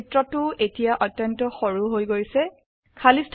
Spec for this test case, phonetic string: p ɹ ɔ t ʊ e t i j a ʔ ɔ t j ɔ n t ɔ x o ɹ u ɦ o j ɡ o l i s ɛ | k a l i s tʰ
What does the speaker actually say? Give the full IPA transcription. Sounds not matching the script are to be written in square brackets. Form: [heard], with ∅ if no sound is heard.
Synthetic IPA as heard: [t] ɹ ɔ t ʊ e t i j a ʔ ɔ t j ɔ n t ɔ x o ɹ u ɦ o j ɡ o [ɹ] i s ɛ | [kʰ] a l i s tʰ